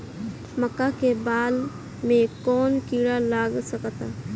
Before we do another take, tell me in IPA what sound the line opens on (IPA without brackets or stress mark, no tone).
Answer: m